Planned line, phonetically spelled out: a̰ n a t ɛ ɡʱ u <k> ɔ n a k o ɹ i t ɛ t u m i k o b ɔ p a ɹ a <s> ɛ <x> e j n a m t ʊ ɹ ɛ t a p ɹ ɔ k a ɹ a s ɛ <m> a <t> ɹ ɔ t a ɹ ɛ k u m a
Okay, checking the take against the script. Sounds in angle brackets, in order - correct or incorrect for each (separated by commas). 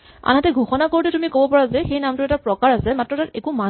incorrect, incorrect, correct, correct, correct